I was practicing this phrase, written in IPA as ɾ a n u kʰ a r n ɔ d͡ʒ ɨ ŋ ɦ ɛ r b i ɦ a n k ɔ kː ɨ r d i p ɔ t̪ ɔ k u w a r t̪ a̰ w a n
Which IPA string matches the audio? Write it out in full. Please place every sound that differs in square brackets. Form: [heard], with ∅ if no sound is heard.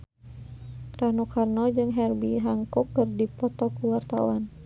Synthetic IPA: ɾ a n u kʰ a r n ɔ d͡ʒ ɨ ŋ ɦ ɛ r b i ɦ a [ŋ] k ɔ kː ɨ r d i p ɔ t̪ ɔ k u w a r t̪ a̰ w a n